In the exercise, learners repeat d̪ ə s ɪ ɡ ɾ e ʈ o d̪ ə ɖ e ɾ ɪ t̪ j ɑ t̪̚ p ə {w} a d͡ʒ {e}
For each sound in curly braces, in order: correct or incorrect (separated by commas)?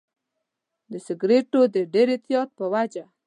correct, incorrect